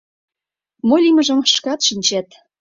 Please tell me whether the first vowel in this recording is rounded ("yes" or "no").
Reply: yes